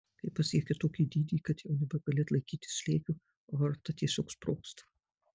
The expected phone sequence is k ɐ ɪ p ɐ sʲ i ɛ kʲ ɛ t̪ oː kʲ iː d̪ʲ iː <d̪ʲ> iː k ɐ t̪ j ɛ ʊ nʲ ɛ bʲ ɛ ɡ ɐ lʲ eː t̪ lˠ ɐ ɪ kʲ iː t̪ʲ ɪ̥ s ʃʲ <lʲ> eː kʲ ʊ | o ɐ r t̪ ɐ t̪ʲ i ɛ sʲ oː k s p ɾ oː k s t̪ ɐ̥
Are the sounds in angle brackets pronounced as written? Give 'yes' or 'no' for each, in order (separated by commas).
yes, yes